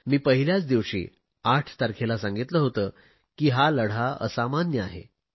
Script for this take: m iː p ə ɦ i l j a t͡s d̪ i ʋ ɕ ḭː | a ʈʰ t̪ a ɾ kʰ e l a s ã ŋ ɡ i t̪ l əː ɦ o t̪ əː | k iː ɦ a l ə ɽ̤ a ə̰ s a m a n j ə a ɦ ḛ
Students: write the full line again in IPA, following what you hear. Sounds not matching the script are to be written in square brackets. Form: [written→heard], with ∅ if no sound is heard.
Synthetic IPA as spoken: m iː p ə ɦ i l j a t͡s d̪ i ʋ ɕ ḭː | a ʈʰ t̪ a ɾ kʰ e l a s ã ŋ ɡ i t̪ l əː ɦ o t̪ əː | k iː ɦ a l ə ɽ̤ a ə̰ s a m a n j ə a ɦ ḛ

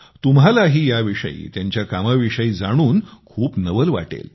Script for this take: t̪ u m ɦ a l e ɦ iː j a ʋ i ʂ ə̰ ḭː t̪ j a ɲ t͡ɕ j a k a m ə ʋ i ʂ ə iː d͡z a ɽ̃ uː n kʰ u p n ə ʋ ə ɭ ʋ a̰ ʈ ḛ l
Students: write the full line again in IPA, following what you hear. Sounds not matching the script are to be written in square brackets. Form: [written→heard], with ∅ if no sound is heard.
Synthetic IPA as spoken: t̪ u m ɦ a l [e→a] ɦ iː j a ʋ i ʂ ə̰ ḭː t̪ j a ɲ t͡ɕ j a k a m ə ʋ i ʂ ə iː d͡z a ɽ̃ uː n kʰ [u→uː] p n ə ʋ ə [ɭ→l] ʋ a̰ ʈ ḛ l

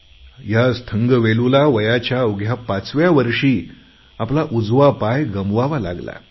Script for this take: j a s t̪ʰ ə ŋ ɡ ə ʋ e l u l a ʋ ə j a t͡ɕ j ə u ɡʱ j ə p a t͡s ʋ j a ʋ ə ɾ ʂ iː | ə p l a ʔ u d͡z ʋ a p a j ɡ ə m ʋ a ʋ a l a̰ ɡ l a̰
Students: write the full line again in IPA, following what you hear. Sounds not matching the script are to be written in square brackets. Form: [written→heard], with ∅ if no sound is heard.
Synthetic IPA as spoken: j a s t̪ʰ ə ŋ ɡ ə ʋ e l u l a ʋ ə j a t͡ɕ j [ə→a] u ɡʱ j [ə→a] p a t͡s ʋ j a ʋ ə ɾ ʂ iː | [ə→a] p l a ʔ u d͡z ʋ a p a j ɡ ə m ʋ a ʋ a l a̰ ɡ l a̰

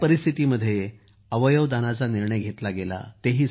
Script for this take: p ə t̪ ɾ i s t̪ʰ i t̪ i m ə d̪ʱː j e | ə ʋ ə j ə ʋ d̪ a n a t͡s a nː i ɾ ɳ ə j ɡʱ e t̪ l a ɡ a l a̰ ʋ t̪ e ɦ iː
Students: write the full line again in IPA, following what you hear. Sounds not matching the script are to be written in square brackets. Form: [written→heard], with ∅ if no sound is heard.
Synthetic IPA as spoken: p ə [t̪→∅] ɾ i s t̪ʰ i t̪ i m ə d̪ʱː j e | ə ʋ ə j ə ʋ d̪ a n a t͡s a [nː→n] i ɾ ɳ ə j ɡʱ e t̪ l a ɡ [a→e] l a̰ [ʋ→∅] t̪ e ɦ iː

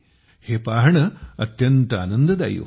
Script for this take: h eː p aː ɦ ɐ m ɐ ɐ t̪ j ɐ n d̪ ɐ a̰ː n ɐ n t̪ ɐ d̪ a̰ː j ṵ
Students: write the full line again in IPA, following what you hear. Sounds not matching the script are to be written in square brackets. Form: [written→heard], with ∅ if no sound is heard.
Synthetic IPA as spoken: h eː p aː ɦ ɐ [m→ɳ] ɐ ɐ t̪ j ɐ n [d̪→t̪] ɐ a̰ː n ɐ n [t̪→d̪] ɐ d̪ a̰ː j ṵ

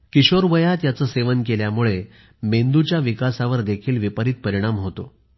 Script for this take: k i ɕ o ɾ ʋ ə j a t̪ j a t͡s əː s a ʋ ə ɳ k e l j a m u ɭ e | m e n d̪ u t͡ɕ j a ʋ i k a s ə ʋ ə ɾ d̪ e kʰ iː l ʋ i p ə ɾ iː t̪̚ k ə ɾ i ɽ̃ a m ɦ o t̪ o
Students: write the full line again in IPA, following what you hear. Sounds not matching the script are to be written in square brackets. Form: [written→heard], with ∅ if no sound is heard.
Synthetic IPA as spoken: k i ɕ o ɾ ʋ ə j a t̪ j a t͡s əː s [a→e] ʋ ə [ɳ→n] k e l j a m u ɭ e | m e n d̪ u t͡ɕ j a ʋ i k a s [ə→a] ʋ ə ɾ d̪ e kʰ iː l ʋ i p ə ɾ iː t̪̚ [k→p] ə ɾ i ɽ̃ a m ɦ o t̪ o

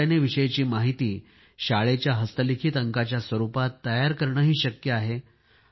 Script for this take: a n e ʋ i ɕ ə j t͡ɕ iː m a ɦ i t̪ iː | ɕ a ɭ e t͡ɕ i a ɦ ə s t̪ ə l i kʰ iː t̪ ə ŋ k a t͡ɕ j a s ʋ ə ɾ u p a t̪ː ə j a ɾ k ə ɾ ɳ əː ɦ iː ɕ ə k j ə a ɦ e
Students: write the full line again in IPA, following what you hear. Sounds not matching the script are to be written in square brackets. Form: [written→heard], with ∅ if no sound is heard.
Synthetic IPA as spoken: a n e ʋ i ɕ ə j t͡ɕ iː m a ɦ i t̪ iː | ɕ a ɭ e t͡ɕ [i→j] a ɦ ə s t̪ ə l i kʰ iː t̪ ə ŋ k a t͡ɕ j a s ʋ ə ɾ u p a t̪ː ə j a ɾ k ə ɾ ɳ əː ɦ iː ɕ ə k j ə a ɦ e

